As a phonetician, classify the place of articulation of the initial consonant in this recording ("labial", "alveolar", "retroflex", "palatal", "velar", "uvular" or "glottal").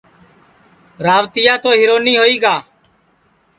alveolar